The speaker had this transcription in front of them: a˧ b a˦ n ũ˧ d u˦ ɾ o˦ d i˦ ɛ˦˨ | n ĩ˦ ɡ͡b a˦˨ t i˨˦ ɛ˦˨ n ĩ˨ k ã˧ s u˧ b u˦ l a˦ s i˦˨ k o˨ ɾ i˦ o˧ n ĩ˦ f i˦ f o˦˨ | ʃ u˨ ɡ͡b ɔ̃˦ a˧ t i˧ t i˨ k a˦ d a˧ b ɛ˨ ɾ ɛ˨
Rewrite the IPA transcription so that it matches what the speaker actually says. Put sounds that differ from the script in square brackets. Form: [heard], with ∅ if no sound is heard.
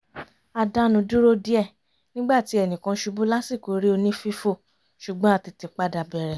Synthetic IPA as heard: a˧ [d] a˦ n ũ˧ d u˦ ɾ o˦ d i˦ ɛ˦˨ | n ĩ˦ ɡ͡b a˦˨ t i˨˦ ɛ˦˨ n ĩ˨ k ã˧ [ʃ] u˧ b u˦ l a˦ s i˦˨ k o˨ ɾ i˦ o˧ n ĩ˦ f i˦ f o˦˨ | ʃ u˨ ɡ͡b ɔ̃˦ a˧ t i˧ t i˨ [k͡p] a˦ d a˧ b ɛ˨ ɾ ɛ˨